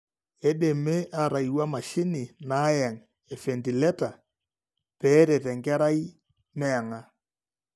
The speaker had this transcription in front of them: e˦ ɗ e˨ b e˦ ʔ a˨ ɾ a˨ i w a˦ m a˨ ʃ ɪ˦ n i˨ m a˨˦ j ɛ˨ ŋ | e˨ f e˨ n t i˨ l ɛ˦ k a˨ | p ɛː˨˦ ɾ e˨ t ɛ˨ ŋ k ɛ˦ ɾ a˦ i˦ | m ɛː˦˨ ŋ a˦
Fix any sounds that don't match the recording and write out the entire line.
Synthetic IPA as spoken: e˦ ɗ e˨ m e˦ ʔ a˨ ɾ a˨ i w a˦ m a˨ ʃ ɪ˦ n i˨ n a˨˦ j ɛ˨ ŋ | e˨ f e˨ n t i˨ l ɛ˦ t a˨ | p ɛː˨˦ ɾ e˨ t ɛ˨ ŋ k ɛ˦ ɾ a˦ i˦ | m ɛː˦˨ ŋ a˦